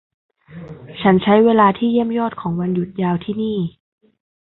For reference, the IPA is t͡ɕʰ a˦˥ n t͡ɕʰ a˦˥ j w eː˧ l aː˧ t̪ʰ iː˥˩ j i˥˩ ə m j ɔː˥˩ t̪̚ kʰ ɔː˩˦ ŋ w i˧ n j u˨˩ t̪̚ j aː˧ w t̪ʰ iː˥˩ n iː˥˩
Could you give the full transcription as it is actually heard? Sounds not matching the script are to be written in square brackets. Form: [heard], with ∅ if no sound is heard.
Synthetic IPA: t͡ɕʰ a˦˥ n t͡ɕʰ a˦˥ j w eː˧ l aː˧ t̪ʰ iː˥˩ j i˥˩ ə m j ɔː˥˩ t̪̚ kʰ ɔː˩˦ ŋ w [a˧] n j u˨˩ t̪̚ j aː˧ w t̪ʰ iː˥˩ n iː˥˩

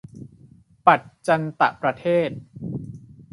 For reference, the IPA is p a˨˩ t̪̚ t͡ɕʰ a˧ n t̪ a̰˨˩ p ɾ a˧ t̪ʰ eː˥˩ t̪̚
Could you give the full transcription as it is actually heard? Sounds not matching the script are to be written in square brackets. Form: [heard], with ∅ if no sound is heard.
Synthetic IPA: p a˨˩ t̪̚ [t͡ɕ] a˧ n t̪ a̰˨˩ p ɾ a˧ t̪ʰ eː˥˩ t̪̚

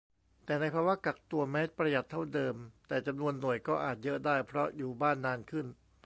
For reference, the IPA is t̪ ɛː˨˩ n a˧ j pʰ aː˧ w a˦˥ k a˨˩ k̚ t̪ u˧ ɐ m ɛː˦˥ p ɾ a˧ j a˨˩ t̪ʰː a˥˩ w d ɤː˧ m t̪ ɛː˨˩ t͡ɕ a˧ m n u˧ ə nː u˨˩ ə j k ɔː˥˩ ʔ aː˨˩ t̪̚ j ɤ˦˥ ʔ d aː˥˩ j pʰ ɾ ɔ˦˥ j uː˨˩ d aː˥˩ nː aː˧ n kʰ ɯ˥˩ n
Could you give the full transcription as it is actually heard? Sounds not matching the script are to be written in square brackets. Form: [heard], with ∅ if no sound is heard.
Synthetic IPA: t̪ ɛː˨˩ n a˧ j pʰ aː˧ w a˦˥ k a˨˩ k̚ t̪ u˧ ɐ m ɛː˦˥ p ɾ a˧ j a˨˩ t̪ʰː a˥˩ w d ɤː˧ m t̪ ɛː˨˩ t͡ɕ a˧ m n u˧ ə nː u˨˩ ə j k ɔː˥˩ ʔ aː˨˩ t̪̚ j ɤ˦˥ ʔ d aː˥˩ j pʰ ɾ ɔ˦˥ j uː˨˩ [b] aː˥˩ nː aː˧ n kʰ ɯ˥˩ n

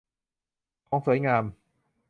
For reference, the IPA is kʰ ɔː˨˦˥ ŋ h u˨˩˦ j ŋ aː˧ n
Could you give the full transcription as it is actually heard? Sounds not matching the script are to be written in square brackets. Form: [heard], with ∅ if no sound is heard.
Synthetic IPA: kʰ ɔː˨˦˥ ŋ [s] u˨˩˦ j ŋ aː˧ [m]

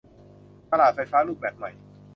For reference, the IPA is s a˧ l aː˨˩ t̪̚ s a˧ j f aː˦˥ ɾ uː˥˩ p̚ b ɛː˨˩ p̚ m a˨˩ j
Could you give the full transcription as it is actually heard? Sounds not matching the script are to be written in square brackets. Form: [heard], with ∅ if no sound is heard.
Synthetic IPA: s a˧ l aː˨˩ t̪̚ [f] a˧ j f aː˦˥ [l] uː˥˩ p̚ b ɛː˨˩ p̚ m a˨˩ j

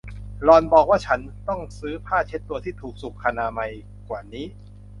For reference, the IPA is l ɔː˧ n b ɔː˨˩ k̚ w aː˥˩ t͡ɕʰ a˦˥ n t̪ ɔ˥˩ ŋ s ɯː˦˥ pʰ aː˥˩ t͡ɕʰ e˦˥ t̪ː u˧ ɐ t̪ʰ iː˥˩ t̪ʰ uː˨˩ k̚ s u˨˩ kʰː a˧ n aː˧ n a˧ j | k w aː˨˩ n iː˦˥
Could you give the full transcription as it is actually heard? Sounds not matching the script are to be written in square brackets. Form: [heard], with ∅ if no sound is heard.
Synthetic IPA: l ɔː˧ n b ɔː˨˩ k̚ w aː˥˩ t͡ɕʰ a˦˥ n t̪ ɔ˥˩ ŋ s ɯː˦˥ pʰ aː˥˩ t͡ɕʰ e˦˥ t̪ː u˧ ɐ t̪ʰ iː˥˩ t̪ʰ uː˨˩ k̚ s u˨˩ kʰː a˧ n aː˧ [m] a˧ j | k w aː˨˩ n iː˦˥

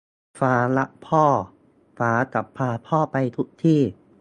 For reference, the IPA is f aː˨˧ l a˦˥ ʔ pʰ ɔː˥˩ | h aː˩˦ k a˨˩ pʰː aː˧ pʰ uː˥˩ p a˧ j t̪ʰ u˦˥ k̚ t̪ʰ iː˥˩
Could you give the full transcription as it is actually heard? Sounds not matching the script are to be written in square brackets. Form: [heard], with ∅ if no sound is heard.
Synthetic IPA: f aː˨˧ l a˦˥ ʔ pʰ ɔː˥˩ | [f] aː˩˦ k a˨˩ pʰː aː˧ pʰ [ɔː˥˩] p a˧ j t̪ʰ u˦˥ k̚ t̪ʰ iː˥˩

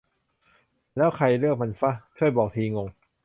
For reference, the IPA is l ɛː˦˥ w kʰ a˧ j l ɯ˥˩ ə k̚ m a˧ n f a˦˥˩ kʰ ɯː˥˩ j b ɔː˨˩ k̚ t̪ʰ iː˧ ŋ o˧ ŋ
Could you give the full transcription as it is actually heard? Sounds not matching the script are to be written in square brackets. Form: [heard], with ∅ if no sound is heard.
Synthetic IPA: l ɛː˦˥ w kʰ a˧ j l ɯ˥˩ ə k̚ m a˧ n f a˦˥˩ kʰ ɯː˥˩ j b ɔː˨˩ k̚ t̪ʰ iː˧ ŋ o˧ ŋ

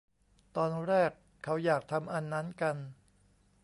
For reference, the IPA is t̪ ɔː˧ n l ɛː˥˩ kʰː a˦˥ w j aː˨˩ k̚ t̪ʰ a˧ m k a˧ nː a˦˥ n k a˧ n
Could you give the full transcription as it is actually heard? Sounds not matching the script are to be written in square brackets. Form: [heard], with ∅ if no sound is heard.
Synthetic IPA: t̪ ɔː˧ n [ɾ] ɛː˥˩ kʰː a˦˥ w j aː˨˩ k̚ t̪ʰ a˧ m [ʔ] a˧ nː a˦˥ n k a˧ n

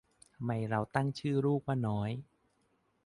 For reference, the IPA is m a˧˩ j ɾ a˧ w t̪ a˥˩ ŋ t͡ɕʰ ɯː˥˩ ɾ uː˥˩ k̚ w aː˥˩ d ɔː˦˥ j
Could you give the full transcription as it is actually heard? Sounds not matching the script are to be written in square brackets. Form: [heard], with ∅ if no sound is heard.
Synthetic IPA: m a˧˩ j ɾ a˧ w t̪ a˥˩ ŋ t͡ɕʰ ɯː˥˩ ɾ uː˥˩ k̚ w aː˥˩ [n] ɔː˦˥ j

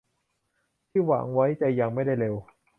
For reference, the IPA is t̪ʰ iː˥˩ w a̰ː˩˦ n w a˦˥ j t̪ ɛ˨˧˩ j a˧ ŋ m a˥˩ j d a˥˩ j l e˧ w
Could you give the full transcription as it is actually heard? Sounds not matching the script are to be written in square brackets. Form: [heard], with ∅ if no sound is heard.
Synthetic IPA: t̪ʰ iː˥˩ w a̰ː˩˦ [ŋ] w a˦˥ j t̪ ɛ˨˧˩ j a˧ ŋ m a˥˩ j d a˥˩ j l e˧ w

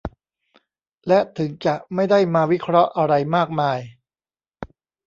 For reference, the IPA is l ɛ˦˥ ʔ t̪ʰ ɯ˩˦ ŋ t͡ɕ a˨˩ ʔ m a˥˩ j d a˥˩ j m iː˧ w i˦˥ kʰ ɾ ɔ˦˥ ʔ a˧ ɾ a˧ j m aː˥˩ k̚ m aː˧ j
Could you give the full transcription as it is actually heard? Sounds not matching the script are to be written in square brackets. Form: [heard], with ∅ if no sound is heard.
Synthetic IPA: l ɛ˦˥ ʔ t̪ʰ ɯ˩˦ ŋ t͡ɕ a˨˩ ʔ m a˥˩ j d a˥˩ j m [aː˧] w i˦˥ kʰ ɾ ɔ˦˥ ʔ a˧ ɾ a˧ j m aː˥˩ k̚ m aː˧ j

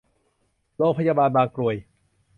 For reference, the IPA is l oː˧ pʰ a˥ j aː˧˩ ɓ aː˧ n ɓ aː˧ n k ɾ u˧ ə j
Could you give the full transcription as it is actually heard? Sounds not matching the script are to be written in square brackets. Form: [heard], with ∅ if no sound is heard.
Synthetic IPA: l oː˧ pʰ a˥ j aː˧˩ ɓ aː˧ n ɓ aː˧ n k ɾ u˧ ə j

